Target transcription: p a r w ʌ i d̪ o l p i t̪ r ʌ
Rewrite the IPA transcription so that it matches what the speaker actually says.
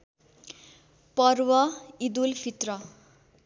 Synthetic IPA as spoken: p ʌ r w ʌ i d̪ u l pʰ i t̪ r ʌ